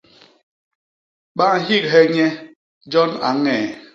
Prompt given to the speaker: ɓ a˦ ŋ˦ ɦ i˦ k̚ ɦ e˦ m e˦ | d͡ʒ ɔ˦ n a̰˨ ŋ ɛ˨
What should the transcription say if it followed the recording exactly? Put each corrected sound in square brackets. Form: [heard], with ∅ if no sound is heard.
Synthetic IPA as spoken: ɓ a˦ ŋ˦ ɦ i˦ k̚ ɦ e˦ [ɲ] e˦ | d͡ʒ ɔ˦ n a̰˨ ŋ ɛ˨